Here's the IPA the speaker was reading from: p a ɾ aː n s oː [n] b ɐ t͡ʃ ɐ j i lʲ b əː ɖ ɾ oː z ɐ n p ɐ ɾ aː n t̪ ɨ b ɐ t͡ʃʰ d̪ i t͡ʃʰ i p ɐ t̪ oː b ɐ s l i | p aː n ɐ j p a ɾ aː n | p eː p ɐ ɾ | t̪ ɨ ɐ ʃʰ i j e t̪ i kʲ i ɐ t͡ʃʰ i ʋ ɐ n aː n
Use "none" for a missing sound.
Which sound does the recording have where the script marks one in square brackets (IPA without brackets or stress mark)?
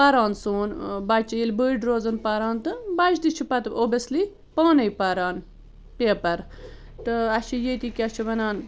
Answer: n